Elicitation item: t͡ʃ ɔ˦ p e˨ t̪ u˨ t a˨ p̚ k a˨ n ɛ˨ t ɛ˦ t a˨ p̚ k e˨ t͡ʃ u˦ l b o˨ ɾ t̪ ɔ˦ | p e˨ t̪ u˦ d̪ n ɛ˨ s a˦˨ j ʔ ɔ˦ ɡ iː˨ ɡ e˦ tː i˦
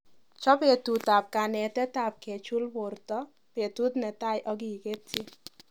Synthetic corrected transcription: t͡ʃ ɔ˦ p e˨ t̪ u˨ t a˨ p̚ k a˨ n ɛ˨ t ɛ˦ t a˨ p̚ k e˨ t͡ʃ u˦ l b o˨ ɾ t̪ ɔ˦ | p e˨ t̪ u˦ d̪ n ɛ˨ t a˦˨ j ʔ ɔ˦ ɡ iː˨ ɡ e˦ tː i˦